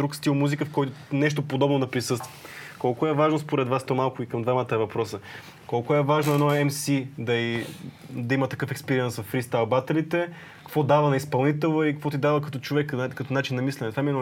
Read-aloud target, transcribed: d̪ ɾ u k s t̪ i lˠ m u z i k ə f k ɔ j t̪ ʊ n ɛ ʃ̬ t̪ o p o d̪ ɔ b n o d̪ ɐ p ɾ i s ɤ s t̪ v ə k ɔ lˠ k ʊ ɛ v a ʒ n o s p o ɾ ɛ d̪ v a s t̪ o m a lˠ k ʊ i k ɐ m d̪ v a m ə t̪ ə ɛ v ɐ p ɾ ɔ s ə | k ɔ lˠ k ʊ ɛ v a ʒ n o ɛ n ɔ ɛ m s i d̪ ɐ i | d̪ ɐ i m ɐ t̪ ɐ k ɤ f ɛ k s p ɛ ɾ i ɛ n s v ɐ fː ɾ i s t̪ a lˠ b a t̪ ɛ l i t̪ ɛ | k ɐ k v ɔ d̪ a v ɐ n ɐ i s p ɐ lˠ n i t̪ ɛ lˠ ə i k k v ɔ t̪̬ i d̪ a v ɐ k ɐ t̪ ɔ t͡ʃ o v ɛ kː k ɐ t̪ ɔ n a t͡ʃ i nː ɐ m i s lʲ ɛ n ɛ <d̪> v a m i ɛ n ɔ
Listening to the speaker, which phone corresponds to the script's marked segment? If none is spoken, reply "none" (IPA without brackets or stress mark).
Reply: t̪